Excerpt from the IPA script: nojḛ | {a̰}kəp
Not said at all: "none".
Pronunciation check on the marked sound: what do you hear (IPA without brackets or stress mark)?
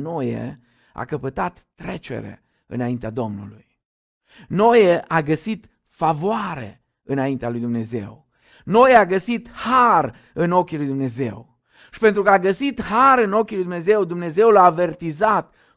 a̰